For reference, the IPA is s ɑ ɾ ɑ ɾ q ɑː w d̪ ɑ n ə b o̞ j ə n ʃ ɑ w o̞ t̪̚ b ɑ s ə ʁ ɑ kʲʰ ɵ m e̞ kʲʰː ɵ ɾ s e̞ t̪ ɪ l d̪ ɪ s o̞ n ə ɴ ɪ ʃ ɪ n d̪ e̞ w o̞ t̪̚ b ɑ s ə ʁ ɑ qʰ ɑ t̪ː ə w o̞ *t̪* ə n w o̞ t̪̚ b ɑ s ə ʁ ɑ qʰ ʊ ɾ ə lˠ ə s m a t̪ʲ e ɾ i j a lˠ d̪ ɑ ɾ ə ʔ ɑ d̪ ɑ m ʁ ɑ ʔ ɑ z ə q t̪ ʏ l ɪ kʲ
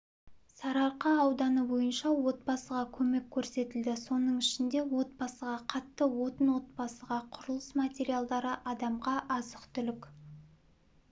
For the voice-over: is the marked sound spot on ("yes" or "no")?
yes